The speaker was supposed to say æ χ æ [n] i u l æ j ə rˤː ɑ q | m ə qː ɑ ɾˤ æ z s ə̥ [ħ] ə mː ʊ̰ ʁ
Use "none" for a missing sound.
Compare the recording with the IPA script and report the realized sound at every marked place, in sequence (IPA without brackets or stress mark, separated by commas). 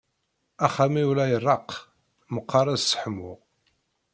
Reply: m, ħ